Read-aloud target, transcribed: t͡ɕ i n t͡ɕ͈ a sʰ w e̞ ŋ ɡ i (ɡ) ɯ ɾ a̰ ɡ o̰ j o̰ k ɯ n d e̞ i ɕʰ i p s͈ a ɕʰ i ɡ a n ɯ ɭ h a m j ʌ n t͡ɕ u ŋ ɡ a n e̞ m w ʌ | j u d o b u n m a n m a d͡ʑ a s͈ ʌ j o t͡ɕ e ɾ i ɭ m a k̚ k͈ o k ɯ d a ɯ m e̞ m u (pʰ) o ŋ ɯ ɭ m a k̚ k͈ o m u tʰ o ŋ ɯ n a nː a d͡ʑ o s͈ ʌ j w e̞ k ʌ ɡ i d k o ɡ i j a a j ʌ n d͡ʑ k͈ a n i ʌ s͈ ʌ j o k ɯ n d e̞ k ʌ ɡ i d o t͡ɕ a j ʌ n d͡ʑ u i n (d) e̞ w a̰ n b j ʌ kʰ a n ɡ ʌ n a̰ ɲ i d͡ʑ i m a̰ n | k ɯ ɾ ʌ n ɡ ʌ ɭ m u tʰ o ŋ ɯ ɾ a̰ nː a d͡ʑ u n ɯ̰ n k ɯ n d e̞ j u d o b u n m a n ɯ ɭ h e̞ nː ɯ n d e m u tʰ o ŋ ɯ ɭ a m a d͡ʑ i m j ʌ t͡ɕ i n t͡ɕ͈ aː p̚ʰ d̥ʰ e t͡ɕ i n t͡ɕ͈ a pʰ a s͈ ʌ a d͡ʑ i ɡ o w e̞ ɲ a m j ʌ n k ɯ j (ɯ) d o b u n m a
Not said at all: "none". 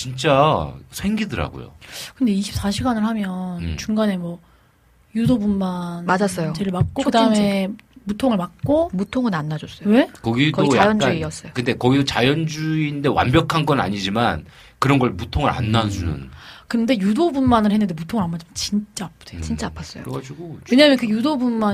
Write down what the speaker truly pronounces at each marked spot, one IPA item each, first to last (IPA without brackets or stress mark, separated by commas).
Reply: d, tʰ, d, u